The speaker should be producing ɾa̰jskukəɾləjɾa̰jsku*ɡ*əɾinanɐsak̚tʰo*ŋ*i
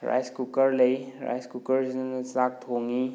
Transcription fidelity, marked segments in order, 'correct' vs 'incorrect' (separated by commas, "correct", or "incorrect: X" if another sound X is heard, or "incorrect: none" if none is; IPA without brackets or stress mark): incorrect: k, correct